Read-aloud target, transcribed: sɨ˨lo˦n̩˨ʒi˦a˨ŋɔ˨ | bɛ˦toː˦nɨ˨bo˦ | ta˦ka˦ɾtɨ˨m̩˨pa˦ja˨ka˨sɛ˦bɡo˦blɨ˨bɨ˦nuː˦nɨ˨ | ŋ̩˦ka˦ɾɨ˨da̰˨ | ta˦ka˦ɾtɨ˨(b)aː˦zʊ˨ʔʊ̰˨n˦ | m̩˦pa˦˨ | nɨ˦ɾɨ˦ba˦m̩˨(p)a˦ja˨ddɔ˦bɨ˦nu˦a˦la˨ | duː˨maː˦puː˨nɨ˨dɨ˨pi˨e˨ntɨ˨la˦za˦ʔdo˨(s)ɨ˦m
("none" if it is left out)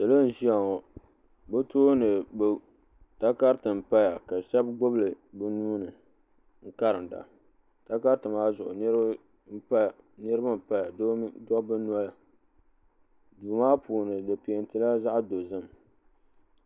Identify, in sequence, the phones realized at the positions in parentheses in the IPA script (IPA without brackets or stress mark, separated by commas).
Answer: m, p, z